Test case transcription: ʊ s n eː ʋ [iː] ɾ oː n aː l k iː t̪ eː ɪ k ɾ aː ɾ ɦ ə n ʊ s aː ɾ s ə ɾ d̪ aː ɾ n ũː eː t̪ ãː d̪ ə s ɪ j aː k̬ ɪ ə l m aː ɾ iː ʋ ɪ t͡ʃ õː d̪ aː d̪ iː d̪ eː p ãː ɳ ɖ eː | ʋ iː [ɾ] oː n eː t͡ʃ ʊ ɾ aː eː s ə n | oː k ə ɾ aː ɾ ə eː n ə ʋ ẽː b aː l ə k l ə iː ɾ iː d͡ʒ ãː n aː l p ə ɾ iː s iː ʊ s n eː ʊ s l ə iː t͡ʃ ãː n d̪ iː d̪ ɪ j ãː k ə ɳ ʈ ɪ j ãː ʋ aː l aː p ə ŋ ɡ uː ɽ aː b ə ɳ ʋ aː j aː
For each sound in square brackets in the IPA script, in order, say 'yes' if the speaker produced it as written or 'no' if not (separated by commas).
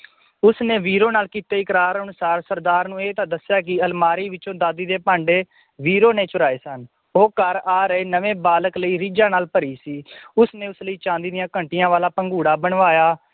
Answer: yes, yes